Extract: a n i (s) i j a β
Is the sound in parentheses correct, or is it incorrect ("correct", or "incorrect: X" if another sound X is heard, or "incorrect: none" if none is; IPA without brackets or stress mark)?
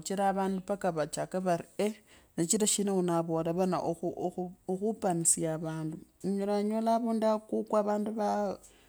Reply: correct